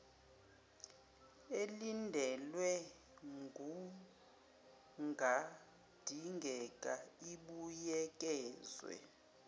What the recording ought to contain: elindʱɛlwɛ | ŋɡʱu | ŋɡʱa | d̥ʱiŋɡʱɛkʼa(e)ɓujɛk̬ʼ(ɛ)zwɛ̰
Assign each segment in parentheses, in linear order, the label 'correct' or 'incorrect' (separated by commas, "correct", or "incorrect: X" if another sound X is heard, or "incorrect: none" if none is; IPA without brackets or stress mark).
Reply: incorrect: i, incorrect: ɛː